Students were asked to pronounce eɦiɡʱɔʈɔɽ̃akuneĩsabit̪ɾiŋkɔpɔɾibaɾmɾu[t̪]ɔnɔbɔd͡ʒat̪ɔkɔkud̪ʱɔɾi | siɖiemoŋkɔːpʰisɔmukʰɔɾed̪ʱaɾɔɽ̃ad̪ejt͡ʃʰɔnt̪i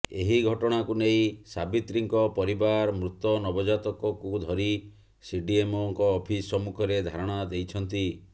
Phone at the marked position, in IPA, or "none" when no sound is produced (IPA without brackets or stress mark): t̪